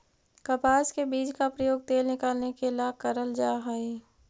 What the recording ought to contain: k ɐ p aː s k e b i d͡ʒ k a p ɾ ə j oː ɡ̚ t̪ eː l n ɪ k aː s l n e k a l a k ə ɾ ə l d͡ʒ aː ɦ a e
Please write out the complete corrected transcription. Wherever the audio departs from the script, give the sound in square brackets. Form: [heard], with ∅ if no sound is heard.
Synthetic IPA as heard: k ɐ p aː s k e b [iː] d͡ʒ k a p ɾ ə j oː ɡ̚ t̪ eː l n ɪ k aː [∅] l n e k [e] l a k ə ɾ ə l d͡ʒ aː ɦ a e